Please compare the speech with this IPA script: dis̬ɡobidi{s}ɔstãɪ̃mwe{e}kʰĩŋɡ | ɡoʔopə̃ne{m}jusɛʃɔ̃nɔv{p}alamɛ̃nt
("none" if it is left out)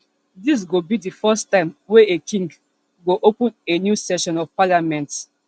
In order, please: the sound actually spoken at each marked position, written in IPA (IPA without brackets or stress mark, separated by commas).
f, e, n, p